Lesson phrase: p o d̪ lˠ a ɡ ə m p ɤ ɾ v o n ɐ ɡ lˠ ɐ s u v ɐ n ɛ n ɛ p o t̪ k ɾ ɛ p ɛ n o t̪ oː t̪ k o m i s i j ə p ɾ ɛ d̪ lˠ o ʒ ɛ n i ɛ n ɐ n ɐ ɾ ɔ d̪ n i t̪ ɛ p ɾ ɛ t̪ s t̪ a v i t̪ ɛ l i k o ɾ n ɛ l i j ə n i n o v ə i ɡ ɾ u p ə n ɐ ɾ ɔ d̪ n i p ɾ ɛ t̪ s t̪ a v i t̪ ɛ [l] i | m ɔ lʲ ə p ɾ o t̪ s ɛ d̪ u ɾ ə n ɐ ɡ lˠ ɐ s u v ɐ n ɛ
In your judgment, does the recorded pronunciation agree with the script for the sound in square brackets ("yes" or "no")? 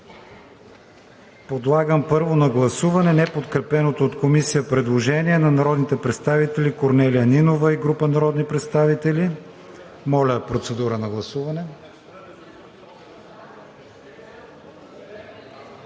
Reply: yes